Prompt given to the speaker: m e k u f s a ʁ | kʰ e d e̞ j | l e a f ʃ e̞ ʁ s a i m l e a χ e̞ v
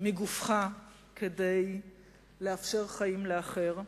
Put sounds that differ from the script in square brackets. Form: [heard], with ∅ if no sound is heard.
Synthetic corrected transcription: m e [ɡ] u f [χ] a [∅] | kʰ e d e̞ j | l e a f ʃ e̞ ʁ [χ] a i m l e a χ e̞ [ʁ]